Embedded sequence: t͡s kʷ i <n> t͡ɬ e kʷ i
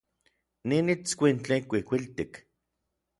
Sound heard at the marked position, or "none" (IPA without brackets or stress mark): n